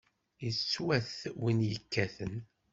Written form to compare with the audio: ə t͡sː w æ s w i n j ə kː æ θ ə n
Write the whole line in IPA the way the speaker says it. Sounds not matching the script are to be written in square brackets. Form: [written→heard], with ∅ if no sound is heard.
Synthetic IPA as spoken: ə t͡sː w æ [s→θ] w i n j ə kː æ θ ə n

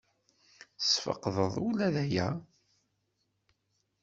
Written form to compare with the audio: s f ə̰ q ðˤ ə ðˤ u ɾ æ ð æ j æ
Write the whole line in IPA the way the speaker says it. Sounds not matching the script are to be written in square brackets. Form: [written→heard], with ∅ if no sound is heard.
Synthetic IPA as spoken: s f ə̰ q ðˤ ə ðˤ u [ɾ→l] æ ð æ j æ

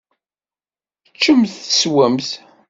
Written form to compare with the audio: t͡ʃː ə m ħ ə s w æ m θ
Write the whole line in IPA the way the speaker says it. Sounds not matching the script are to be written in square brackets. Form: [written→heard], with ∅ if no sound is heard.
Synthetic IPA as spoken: t͡ʃː ə m [ħ→θ] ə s w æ m θ

